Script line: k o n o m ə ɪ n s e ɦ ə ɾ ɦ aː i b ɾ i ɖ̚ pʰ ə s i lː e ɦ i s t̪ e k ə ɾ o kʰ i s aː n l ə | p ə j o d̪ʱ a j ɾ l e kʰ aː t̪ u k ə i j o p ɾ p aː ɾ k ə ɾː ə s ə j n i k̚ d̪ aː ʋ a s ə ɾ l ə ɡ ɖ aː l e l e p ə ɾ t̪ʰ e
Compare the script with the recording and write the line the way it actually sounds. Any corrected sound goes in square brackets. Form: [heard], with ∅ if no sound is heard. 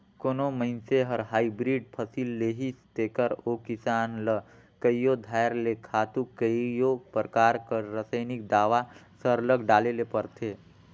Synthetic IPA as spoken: k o n o m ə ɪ n s e ɦ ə ɾ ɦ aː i b ɾ i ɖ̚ pʰ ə s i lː e ɦ i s t̪ e k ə ɾ o [k] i s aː n l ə | [k] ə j o d̪ʱ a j ɾ l e kʰ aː t̪ u k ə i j o p ɾ [k] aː ɾ k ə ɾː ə s ə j n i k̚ d̪ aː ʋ a s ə ɾ l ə ɡ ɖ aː l e l e p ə ɾ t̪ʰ e